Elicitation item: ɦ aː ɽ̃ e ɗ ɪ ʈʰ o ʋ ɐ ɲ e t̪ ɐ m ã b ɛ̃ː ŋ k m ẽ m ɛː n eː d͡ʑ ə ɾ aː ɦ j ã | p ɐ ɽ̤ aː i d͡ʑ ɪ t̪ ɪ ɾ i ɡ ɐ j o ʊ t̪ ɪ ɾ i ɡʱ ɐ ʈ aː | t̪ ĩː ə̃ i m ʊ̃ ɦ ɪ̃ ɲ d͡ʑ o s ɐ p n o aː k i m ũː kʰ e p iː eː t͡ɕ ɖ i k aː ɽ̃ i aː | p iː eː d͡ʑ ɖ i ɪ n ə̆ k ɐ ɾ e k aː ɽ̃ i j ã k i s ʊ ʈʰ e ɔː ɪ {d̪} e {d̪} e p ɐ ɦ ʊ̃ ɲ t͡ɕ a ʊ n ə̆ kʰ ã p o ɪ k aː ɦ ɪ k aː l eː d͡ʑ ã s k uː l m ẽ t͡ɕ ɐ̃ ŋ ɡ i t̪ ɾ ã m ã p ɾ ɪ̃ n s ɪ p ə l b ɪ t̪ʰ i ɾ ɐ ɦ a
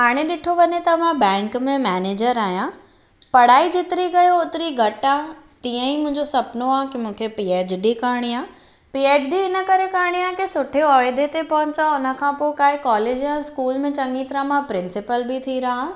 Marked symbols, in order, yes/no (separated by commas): yes, no